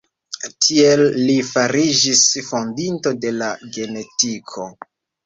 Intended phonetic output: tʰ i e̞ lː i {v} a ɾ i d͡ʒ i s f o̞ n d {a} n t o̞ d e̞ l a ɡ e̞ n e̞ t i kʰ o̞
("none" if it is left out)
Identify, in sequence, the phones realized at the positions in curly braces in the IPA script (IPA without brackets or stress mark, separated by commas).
f, i